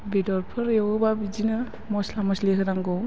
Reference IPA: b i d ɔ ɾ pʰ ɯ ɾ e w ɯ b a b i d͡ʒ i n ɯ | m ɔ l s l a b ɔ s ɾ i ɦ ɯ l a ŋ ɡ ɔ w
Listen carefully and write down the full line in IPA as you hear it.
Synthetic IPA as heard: b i d ɔ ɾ pʰ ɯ ɾ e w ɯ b a b i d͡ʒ i n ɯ | m ɔ s l a m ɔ s l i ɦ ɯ ɾ a ŋ ɡ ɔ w